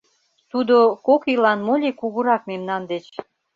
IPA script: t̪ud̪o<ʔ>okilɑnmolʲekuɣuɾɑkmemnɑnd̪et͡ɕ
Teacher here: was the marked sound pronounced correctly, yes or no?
no